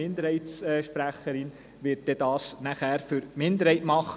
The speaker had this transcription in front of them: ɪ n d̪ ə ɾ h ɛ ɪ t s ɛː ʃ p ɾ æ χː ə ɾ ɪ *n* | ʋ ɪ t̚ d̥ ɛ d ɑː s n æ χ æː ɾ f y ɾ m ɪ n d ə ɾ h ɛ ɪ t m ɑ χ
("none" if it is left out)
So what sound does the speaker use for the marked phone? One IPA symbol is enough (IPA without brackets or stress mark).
n